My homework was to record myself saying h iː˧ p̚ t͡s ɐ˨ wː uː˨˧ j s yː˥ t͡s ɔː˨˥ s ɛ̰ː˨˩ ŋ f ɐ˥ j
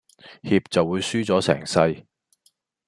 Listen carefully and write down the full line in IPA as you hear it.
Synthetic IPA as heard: h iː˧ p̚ t͡s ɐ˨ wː uː˨˧ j s yː˥ t͡s ɔː˨˥ s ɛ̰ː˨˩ ŋ s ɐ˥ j